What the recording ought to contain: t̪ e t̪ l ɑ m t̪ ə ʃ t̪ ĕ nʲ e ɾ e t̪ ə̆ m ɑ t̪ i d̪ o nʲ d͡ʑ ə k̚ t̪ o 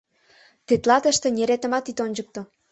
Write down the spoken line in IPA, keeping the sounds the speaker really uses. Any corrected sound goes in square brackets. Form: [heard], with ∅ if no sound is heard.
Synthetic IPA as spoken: t̪ e t̪ l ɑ [∅] t̪ ə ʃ t̪ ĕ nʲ e ɾ e t̪ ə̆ m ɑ t̪ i [t̪] o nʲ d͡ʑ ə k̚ t̪ o